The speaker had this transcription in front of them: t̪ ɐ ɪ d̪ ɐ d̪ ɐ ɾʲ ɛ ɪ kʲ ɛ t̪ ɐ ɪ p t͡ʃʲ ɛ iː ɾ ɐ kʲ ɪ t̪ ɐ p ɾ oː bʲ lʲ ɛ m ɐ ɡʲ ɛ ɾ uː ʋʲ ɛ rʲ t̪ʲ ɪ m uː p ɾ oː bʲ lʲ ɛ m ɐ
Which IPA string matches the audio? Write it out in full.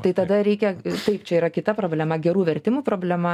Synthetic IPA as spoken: t̪ ɐ ɪ t̪ ɐ d̪ ɐ ɾʲ ɛ ɪ kʲ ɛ t̪ ɐ ɪ p t͡ʃʲ ɛ iː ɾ ɐ kʲ ɪ t̪ ɐ p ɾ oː bʲ lʲ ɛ m ɐ ɡʲ ɛ ɾ uː ʋʲ ɛ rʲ t̪ʲ ɪ m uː p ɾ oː bʲ lʲ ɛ m ɐ